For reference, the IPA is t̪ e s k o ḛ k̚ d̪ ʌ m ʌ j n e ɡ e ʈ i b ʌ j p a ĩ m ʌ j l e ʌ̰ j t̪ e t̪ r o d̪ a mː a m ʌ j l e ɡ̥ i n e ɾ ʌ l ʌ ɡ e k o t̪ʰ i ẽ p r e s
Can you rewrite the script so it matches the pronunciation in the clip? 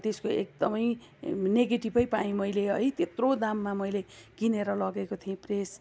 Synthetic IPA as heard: t̪ e s k o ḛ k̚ d̪ ʌ m ʌ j n e ɡ e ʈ i b ʌ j p a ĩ m ʌ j l e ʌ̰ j t̪ e t̪ r o d̪ a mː a m ʌ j l e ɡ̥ i n e ɾ ʌ l ʌ ɡ e k o t̪ʰ i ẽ p r e s